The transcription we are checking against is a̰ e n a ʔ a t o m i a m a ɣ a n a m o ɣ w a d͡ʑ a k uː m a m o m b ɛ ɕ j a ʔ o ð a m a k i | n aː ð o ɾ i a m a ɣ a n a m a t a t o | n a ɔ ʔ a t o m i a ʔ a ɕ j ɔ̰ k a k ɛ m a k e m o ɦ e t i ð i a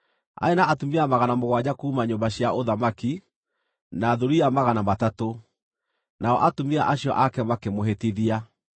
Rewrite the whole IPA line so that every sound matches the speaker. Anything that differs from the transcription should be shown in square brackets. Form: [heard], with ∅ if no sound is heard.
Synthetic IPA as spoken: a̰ e n a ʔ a t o m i a m a ɣ a n a m o ɣ w a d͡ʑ a k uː m a [ɲ] o m b [a] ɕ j a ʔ o ð a m a k i | n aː ð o ɾ i a m a ɣ a n a m a t a t o | n a ɔ ʔ a t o m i a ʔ a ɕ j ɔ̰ [ʔ] a k ɛ m a k e m o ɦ e t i ð i a